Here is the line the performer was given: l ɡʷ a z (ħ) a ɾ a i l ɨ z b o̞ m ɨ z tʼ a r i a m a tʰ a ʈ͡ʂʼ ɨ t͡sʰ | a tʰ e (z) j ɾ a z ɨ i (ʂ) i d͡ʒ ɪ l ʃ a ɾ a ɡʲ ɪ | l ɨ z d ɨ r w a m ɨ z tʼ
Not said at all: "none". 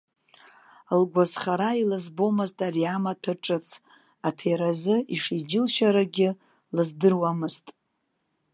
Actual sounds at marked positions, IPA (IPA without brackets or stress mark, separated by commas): χ, none, ʂ